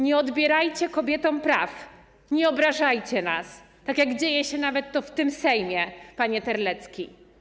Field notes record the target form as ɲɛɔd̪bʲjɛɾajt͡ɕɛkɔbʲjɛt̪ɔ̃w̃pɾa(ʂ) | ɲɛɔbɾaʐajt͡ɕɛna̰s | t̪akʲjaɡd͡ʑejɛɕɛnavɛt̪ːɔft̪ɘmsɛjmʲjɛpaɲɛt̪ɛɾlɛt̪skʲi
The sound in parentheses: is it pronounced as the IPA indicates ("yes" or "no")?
no